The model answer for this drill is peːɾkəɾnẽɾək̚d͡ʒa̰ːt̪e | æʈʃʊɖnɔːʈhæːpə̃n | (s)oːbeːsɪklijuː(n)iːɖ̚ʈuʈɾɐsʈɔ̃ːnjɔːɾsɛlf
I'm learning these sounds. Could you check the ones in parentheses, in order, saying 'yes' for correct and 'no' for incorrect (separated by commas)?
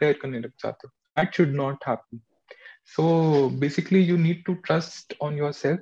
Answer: yes, yes